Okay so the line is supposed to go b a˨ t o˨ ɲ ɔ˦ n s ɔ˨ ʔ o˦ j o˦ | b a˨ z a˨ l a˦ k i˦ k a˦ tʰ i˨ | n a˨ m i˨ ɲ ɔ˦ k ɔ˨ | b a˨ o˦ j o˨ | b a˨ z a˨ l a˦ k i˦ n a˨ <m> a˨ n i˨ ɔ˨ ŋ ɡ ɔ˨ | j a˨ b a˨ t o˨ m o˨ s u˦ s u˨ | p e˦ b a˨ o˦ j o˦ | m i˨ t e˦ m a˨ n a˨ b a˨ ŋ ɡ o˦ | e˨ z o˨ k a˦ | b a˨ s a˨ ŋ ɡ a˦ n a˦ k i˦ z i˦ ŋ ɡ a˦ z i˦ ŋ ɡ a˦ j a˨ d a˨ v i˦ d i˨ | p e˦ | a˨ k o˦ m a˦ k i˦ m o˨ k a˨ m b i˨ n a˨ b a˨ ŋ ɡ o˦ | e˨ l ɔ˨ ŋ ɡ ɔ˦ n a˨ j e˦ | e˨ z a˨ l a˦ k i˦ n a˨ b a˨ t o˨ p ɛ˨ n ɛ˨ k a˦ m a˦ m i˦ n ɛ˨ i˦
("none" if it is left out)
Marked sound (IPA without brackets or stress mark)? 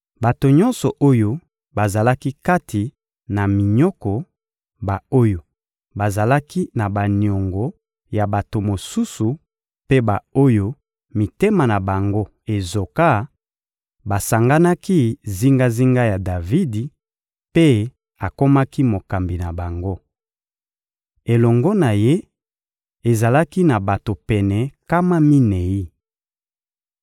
b